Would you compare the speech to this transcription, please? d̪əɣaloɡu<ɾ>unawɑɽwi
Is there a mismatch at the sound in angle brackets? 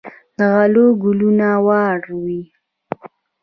yes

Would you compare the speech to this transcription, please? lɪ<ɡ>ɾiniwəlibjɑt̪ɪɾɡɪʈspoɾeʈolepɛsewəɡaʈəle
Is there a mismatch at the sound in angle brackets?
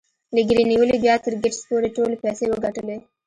no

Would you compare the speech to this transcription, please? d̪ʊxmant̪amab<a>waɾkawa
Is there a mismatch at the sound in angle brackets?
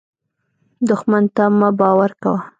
yes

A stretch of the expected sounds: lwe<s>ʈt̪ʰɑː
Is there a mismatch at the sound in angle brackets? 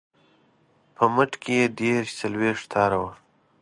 yes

